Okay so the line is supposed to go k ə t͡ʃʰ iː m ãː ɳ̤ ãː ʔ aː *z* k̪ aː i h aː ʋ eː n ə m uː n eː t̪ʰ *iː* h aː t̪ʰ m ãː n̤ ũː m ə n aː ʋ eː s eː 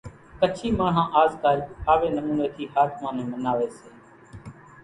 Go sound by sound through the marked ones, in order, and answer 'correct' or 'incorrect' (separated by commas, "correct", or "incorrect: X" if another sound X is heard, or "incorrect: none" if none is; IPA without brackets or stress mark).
correct, correct